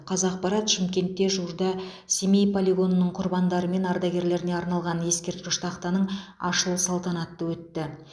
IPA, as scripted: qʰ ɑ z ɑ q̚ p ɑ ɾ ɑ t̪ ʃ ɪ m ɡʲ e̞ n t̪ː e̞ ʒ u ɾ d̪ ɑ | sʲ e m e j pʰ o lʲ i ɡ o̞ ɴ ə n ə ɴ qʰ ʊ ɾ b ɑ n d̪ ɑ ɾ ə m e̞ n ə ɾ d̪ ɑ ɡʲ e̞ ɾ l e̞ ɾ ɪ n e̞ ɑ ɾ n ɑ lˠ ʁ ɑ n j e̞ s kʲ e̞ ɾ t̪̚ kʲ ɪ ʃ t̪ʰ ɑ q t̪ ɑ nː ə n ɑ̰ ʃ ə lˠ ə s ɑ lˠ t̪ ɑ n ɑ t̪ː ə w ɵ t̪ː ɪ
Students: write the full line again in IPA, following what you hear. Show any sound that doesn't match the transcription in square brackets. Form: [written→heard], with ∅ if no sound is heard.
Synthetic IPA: qʰ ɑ z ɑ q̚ p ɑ ɾ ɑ t̪ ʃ ɪ m [ɡʲ→kʲ] e̞ n t̪ː e̞ ʒ u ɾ d̪ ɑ | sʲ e m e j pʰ o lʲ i ɡ o̞ [ɴ→n] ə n ə ɴ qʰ ʊ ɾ b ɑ n d̪ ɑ ɾ ə m e̞ n [ə→ɑ] ɾ d̪ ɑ ɡʲ e̞ ɾ l e̞ ɾ ɪ n e̞ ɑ ɾ n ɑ lˠ ʁ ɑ n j e̞ s kʲ e̞ ɾ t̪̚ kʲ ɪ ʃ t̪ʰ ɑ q t̪ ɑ [nː→n] ə [n→ɴ] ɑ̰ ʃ ə lˠ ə s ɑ lˠ t̪ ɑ n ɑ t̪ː ə w ɵ t̪ː ɪ

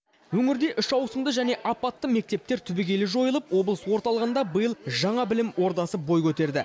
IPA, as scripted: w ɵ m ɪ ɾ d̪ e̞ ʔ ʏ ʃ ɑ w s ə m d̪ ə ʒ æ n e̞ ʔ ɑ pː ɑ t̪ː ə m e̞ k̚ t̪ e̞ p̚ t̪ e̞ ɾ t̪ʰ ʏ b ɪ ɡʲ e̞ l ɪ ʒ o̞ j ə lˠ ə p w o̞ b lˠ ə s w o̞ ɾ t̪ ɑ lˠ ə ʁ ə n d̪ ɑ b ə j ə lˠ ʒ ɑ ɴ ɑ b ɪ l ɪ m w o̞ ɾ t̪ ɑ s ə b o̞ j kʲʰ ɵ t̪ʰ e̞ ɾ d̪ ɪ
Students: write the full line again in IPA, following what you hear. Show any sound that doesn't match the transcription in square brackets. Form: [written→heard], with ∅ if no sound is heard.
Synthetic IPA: w ɵ [m→ŋ] ɪ ɾ d̪ e̞ ʔ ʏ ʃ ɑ w s ə m d̪ ə ʒ æ n e̞ ʔ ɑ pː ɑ t̪ː ə m e̞ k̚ t̪ e̞ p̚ t̪ e̞ ɾ t̪ʰ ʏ b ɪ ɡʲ e̞ l ɪ ʒ o̞ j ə lˠ ə p w o̞ b lˠ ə s w o̞ ɾ t̪ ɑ lˠ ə ʁ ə n d̪ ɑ b ə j ə lˠ ʒ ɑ ɴ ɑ b ɪ l ɪ m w o̞ ɾ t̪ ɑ s ə b o̞ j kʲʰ ɵ [t̪ʰ→t̪] e̞ ɾ d̪ ɪ

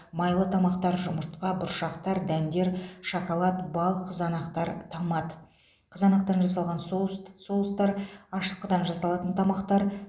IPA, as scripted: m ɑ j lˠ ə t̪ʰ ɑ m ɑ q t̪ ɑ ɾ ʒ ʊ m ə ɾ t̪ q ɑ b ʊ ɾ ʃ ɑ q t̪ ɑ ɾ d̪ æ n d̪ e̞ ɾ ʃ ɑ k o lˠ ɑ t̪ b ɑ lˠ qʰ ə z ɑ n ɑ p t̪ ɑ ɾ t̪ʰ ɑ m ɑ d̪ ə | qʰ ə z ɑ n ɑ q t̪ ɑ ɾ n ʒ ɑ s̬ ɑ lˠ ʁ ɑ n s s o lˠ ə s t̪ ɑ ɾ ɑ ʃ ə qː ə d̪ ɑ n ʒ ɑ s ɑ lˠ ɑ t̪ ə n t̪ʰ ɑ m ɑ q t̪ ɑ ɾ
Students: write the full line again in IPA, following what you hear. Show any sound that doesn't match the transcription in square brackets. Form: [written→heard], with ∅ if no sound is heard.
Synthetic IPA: m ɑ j lˠ ə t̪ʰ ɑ m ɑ q t̪ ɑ ɾ ʒ ʊ m ə ɾ t̪ q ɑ b ʊ ɾ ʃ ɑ q t̪ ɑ ɾ d̪ æ n d̪ e̞ ɾ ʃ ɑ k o lˠ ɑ t̪ b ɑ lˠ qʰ ə z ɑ n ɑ [p→q] t̪ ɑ ɾ t̪ʰ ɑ m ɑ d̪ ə | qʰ ə z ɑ n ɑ q t̪ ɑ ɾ n ʒ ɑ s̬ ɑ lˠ ʁ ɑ n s s o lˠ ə s t̪ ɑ ɾ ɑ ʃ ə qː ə d̪ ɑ n ʒ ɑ s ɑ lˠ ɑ t̪ ə n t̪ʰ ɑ m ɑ q t̪ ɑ ɾ

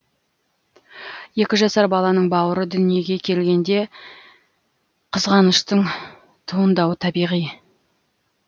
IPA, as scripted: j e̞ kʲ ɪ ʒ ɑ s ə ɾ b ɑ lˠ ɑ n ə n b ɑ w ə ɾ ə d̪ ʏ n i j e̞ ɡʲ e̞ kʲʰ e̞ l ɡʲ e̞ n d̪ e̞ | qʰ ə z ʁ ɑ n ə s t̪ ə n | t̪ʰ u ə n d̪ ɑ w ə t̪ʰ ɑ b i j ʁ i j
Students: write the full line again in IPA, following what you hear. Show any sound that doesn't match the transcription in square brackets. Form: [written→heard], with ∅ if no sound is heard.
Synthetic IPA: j e̞ kʲ ɪ ʒ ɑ s [ə→ɑ] ɾ b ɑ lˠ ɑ n ə [n→ɴ] b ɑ w ə ɾ ə d̪ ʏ n i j e̞ ɡʲ e̞ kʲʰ e̞ l ɡʲ e̞ n d̪ e̞ | qʰ ə z ʁ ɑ n ə [s→ʃ] t̪ ə [n→ɴ] | t̪ʰ u ə n d̪ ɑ w ə t̪ʰ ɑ b i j ʁ i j

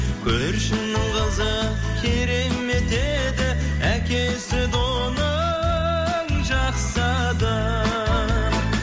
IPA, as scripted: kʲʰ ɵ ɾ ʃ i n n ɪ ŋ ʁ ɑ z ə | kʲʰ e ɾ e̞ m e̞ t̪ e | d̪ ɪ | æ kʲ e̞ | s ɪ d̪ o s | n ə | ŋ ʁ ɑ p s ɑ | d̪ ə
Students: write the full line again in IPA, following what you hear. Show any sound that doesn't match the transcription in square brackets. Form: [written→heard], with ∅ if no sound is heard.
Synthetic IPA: kʲʰ ɵ ɾ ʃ [i→ɪ] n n ɪ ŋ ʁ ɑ z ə | kʲʰ e ɾ e̞ m e̞ t̪ e | d̪ ɪ | æ kʲ e̞ | s ɪ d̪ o [s→∅] | n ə | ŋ [ʁ→ʒ] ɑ [p→q] s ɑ | d̪ ə

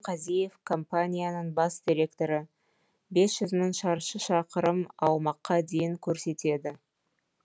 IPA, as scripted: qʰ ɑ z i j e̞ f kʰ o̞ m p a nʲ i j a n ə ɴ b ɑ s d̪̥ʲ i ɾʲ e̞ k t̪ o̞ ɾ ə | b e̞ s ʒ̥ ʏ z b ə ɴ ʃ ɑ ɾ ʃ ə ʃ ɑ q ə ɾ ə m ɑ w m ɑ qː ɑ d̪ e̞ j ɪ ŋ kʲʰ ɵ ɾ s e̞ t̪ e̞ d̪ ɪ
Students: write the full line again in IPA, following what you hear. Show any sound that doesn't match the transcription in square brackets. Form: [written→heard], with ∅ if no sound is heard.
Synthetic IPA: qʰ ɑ z i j e̞ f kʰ o̞ m p a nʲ i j a n ə ɴ b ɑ s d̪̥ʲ i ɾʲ e̞ k t̪ o̞ ɾ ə | b e̞ s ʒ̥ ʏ z [b→m] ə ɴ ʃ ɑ ɾ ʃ ə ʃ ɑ q ə ɾ ə m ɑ w m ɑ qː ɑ d̪ e̞ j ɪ ŋ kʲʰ ɵ ɾ s e̞ t̪ e̞ d̪ ɪ

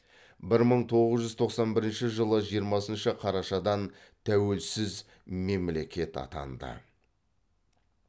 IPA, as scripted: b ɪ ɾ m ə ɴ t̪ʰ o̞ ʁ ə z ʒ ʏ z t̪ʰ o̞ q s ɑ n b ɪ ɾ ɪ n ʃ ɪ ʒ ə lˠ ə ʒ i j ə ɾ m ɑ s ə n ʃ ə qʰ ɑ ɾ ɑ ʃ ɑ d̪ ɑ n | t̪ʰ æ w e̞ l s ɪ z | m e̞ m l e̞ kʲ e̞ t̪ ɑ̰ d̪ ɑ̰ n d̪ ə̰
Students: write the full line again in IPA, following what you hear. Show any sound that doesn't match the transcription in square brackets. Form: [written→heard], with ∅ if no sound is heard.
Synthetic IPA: b ɪ ɾ m ə ɴ t̪ʰ o̞ ʁ ə z ʒ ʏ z t̪ʰ o̞ q s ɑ n b ɪ ɾ ɪ n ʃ ɪ ʒ ə lˠ ə ʒ i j ə ɾ m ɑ s ə n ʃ ə qʰ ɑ ɾ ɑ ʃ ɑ d̪ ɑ n | t̪ʰ æ w e̞ l s ɪ z | m e̞ m l e̞ kʲ e̞ t̪ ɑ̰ [d̪→t̪] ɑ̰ n d̪ ə̰

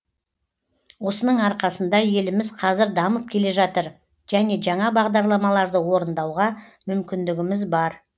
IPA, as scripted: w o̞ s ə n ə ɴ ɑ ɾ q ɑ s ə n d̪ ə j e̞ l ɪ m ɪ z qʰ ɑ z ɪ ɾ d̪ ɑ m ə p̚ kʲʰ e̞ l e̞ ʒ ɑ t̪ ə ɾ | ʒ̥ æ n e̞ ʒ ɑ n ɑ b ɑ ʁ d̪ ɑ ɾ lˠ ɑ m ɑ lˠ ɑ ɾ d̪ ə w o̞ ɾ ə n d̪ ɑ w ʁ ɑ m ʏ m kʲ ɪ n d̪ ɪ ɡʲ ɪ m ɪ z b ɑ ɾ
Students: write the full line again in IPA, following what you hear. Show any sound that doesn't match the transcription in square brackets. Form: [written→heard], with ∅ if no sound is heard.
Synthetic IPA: w o̞ s ə n ə ɴ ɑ ɾ q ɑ s ə n d̪ [ə→ɑ] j e̞ l ɪ m ɪ z qʰ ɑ z ɪ ɾ d̪ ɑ m ə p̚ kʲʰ e̞ l e̞ ʒ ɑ t̪ ə ɾ | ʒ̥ æ n e̞ ʒ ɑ [n→ɴ] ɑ b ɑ ʁ d̪ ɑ ɾ lˠ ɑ m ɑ lˠ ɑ ɾ d̪ ə w o̞ ɾ ə n d̪ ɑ w ʁ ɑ m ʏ m kʲ ɪ n d̪ ɪ ɡʲ ɪ m ɪ z b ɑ ɾ

